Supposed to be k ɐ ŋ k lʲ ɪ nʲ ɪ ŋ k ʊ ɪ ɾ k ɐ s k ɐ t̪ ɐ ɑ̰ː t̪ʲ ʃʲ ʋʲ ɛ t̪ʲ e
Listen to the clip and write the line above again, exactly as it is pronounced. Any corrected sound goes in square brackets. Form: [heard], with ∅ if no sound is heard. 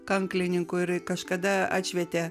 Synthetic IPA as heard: k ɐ ŋ k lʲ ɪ nʲ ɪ ŋ k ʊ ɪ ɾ k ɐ [ʃ] k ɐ [d̪] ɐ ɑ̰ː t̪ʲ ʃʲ ʋʲ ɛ t̪ʲ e